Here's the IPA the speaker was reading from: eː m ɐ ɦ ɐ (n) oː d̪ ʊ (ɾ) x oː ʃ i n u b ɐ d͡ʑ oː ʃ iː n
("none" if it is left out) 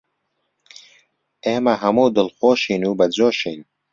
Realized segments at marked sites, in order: m, l

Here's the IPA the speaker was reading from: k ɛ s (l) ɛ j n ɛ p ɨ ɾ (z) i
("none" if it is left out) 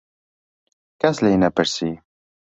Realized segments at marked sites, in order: l, s

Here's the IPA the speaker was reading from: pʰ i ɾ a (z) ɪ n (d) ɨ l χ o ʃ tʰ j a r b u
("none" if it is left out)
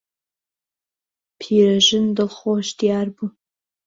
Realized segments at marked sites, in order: ʒ, d

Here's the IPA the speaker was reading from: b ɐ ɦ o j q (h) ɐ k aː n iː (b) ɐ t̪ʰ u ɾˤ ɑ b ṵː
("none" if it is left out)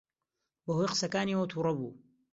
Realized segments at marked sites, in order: s, w

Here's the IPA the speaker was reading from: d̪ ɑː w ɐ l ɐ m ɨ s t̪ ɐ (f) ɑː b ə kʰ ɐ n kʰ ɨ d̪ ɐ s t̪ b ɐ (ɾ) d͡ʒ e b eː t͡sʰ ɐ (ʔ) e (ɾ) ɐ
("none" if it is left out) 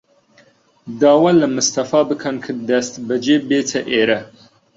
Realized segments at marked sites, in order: f, none, ʔ, ɾ

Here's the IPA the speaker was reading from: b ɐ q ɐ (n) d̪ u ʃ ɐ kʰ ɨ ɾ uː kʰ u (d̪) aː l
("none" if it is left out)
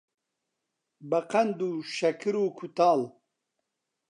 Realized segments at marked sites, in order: n, t̪

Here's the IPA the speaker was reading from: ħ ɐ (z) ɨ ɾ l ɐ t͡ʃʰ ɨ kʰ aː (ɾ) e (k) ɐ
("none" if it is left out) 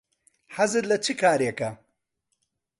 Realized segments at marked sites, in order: z, ɾ, k

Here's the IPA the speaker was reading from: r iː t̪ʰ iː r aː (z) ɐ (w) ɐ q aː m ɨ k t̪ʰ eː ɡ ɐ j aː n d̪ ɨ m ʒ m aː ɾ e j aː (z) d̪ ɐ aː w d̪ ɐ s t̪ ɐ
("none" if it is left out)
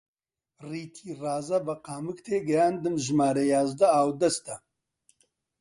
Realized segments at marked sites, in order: z, b, z

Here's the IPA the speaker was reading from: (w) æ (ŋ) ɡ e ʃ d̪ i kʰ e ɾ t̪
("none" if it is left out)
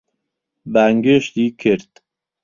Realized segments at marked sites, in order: b, ŋ

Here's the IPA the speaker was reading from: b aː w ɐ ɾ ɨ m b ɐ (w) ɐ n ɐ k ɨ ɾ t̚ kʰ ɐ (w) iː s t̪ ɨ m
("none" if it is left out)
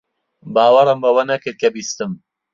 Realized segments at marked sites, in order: w, b

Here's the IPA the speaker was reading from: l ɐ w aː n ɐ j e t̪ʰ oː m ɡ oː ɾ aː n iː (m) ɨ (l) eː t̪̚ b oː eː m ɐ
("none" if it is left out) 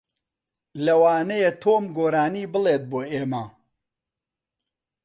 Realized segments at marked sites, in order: b, l

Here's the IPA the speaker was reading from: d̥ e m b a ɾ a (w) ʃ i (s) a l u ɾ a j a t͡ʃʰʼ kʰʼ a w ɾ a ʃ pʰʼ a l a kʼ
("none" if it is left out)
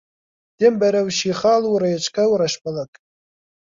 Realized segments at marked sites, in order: w, χ

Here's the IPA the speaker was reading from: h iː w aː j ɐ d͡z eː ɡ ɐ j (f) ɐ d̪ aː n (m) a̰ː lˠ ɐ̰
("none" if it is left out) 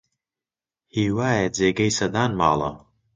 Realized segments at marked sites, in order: s, m

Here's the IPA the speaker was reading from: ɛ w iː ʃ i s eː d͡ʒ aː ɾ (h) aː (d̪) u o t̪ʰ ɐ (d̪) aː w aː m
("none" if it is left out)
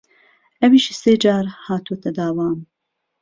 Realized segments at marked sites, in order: h, t̪, d̪

